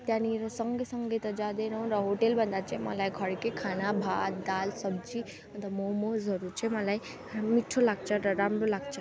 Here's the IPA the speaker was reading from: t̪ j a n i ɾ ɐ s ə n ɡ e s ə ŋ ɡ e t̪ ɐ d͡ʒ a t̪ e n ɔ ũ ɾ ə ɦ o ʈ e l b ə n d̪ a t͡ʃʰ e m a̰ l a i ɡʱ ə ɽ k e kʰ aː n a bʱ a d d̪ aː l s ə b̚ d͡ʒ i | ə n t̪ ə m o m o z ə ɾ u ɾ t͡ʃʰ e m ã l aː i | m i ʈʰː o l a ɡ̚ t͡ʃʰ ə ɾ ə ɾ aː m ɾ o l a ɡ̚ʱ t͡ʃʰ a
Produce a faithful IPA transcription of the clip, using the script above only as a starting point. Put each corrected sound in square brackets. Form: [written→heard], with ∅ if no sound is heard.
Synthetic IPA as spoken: t̪ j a n i ɾ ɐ s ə [n→ŋ] ɡ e s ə ŋ ɡ e t̪ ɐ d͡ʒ a [t̪→d̪] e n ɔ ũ ɾ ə ɦ o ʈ e l b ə n d̪ a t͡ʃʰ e m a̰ l a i ɡʱ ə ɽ k e kʰ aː n a bʱ a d d̪ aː l s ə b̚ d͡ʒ i | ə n t̪ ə m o m o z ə ɾ u ɾ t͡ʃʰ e m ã l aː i | m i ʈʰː o l a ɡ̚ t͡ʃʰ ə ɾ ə ɾ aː m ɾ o l a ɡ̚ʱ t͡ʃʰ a